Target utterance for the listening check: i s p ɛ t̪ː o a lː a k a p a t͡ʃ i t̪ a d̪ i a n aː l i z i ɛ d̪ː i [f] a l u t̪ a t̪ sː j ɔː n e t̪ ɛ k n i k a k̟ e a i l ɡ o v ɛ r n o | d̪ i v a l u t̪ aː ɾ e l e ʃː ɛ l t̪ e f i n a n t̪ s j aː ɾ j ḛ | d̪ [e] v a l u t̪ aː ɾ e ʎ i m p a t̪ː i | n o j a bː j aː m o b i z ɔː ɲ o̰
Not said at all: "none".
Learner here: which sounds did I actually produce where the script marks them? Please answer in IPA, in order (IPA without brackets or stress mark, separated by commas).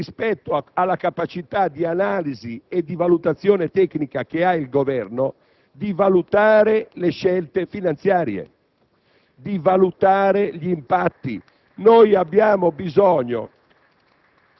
v, i